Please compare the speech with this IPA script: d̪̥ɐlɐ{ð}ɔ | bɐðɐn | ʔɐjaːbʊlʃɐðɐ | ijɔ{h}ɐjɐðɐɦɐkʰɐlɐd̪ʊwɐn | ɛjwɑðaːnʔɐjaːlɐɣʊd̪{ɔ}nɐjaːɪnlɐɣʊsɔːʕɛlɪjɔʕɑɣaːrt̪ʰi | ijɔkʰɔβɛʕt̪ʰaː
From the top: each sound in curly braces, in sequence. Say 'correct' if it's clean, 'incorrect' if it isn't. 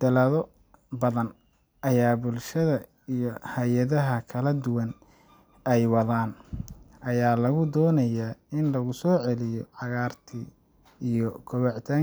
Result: correct, correct, incorrect: ɔː

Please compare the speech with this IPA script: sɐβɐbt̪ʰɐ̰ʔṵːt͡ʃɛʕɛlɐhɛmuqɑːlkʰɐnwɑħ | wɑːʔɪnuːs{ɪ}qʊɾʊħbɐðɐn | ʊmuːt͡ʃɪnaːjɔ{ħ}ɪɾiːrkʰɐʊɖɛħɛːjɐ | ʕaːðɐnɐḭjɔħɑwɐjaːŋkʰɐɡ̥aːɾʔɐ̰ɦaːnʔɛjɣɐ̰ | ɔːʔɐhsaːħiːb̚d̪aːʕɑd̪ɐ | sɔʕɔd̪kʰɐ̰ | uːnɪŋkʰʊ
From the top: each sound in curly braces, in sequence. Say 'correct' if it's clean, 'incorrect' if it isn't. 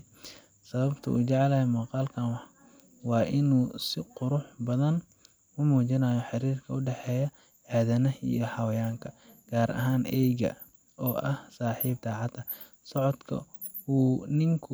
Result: correct, correct

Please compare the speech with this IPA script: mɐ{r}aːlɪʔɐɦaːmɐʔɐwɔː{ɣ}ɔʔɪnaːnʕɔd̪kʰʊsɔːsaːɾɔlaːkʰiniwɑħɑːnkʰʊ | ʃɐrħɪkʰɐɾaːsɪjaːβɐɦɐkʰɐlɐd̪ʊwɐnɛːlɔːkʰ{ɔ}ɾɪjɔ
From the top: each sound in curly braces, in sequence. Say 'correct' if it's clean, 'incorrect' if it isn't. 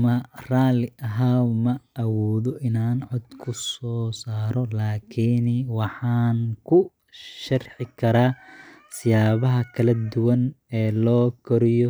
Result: correct, incorrect: ð, correct

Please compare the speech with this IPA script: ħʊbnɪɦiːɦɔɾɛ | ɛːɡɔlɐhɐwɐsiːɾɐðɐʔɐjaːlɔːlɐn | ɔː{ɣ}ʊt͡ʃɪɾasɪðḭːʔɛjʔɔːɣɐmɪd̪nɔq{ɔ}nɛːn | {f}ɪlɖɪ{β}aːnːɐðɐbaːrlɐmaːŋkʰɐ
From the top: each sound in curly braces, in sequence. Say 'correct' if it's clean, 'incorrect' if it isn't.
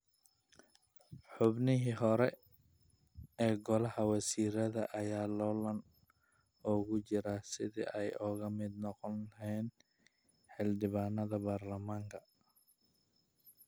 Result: correct, correct, incorrect: ħ, correct

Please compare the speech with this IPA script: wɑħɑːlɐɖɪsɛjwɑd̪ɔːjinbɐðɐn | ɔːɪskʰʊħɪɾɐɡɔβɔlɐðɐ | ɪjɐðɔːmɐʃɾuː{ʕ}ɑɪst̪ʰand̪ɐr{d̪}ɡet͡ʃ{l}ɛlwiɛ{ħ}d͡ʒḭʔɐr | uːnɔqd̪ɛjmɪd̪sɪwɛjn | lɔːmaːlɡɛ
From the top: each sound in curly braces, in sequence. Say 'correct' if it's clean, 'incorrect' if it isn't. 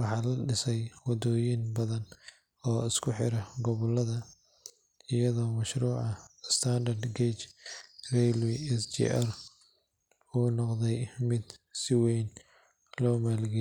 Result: correct, correct, incorrect: r, incorrect: s

